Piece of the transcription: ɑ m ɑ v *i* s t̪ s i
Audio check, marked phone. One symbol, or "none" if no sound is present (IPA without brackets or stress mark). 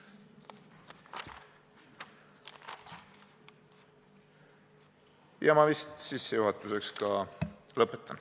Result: i